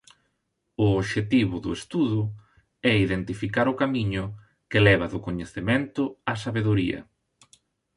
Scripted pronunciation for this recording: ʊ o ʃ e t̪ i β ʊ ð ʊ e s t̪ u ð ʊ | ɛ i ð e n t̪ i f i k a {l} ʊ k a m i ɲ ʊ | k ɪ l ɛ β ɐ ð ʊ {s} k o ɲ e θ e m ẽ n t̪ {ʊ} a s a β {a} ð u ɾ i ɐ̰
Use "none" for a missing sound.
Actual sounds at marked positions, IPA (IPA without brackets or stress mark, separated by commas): ɾ, none, ʊ, e